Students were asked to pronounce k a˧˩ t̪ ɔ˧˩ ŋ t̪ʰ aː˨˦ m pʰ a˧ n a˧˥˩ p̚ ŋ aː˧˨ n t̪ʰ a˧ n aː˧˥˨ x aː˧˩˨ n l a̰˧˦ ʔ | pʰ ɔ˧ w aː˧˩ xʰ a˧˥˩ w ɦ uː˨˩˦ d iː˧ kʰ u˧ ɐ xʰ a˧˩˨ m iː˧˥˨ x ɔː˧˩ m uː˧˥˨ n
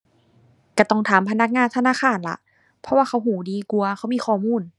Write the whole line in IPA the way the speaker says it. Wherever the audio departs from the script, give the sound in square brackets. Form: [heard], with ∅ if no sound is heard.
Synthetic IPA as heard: k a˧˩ t̪ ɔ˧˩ ŋ t̪ʰ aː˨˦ m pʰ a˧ n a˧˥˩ [k̚] ŋ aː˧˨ n t̪ʰ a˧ n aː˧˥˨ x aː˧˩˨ n l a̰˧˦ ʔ | pʰ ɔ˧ w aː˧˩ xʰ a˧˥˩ w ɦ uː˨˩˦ d iː˧ [k] u˧ ɐ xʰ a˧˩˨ m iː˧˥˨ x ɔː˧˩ m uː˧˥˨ n